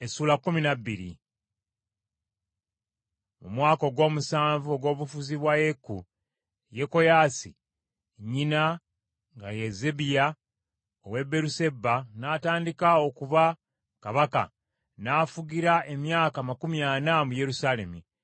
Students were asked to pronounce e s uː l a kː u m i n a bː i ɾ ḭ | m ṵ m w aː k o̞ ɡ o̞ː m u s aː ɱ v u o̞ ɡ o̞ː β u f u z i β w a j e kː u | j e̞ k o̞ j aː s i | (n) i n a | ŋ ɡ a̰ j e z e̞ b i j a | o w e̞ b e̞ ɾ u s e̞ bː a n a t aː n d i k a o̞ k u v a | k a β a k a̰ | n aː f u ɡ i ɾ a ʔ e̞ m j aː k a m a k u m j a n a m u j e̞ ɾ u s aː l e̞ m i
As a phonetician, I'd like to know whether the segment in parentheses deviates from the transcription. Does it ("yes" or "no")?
yes